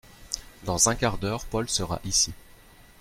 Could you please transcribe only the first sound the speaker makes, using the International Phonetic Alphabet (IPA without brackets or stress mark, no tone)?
d̪